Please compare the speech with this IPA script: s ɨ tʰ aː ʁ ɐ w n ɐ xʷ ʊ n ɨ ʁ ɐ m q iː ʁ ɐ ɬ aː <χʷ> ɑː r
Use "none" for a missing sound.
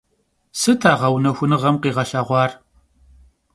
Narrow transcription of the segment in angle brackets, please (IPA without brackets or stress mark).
ʁʷ